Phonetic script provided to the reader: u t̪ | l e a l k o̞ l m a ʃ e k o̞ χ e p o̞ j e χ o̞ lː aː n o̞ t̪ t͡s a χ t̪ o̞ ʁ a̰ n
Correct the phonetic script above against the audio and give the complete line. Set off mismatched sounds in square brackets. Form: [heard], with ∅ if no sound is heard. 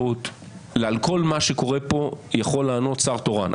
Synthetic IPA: u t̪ | l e a l k o̞ l m a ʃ e k o̞ [ʁ] e p o̞ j [a] χ o̞ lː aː n o̞ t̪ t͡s a [ʁ] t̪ o̞ ʁ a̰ n